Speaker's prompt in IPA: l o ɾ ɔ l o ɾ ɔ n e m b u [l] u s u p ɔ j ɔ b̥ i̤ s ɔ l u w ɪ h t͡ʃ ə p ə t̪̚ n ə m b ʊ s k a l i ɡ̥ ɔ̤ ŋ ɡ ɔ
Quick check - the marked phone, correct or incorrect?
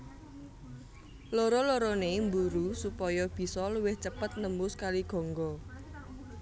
incorrect